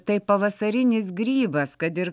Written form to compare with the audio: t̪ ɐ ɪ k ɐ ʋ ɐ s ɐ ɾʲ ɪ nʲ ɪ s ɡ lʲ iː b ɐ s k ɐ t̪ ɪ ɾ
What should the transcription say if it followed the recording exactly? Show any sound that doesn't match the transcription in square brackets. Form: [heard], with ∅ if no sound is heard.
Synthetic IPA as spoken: t̪ ɐ ɪ [p] ɐ ʋ ɐ s ɐ ɾʲ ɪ nʲ ɪ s ɡ [ɾʲ] iː b ɐ s k ɐ t̪ ɪ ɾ